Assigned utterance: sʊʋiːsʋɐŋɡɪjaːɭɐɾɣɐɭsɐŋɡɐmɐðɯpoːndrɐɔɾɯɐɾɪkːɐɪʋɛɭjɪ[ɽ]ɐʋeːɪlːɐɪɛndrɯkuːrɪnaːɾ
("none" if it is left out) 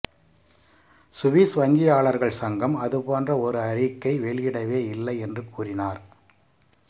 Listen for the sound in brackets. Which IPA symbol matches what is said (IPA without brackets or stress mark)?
ɽ